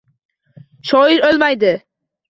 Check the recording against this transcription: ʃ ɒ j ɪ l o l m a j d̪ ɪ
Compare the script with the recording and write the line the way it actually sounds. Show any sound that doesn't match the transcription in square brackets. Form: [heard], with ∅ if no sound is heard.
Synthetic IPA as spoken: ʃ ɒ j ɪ [ɾ] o l m a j d̪ ɪ